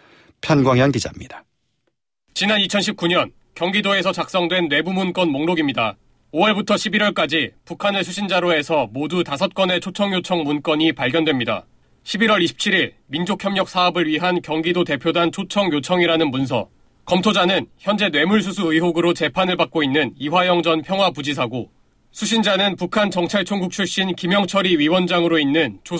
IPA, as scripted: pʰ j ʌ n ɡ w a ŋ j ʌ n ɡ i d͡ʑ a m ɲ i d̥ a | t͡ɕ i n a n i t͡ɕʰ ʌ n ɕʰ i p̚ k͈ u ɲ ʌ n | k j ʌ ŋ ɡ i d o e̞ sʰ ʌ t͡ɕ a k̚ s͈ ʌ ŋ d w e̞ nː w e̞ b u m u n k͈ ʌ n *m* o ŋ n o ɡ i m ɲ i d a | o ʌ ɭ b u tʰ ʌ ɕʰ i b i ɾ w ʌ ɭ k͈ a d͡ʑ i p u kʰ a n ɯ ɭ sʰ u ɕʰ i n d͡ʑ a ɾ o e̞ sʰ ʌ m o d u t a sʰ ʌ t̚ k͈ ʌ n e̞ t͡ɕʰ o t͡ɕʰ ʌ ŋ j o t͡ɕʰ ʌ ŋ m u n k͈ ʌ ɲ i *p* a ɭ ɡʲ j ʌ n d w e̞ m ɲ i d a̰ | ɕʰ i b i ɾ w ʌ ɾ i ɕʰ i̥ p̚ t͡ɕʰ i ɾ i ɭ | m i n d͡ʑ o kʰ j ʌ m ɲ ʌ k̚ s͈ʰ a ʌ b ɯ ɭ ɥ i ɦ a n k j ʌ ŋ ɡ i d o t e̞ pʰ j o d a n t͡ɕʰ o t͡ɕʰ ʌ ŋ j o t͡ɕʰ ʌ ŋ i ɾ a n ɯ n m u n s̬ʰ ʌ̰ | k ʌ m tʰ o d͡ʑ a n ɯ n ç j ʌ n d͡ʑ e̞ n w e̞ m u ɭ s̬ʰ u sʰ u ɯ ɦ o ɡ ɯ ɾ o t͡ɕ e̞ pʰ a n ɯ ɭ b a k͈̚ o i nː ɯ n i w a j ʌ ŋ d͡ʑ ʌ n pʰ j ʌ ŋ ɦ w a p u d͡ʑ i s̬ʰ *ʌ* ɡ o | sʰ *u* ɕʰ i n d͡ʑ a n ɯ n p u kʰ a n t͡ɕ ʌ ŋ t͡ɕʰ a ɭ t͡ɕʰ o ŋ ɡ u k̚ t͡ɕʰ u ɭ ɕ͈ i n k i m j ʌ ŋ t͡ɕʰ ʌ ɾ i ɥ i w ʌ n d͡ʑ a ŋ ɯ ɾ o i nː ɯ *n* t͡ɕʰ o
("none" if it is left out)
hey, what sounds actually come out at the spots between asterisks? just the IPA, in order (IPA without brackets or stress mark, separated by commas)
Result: m, p, a, u, n